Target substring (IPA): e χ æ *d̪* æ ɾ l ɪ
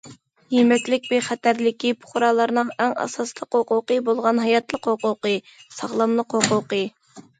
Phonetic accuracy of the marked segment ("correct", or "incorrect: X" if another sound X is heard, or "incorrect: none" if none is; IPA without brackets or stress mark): incorrect: t̪